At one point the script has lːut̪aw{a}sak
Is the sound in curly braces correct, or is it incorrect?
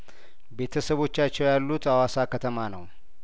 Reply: correct